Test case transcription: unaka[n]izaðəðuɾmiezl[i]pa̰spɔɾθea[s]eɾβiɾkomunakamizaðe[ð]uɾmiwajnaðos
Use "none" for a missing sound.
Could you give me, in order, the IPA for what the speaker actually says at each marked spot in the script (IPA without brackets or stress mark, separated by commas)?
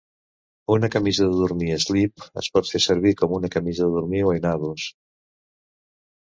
m, i, s, ð